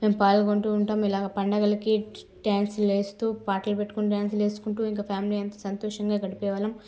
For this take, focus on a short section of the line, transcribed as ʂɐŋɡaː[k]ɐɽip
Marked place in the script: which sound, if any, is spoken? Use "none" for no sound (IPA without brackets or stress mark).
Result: ɡ